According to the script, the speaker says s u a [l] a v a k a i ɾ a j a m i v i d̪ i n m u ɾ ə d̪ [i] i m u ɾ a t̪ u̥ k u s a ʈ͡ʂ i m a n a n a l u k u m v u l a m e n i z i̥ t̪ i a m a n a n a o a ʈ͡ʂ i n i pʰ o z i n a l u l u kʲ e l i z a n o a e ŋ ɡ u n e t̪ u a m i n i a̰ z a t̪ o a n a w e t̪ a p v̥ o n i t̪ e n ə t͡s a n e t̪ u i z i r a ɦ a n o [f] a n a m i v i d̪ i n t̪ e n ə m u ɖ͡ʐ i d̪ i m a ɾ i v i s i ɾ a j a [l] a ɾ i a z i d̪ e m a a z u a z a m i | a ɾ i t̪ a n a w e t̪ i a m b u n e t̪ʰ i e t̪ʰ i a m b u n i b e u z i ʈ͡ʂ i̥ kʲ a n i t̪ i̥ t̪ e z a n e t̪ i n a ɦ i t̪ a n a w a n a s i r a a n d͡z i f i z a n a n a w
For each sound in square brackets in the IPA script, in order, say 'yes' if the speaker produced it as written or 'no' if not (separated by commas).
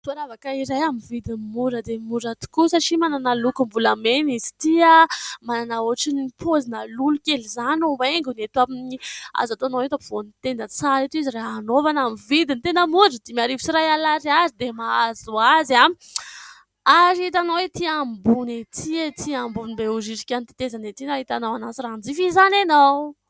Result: no, no, no, yes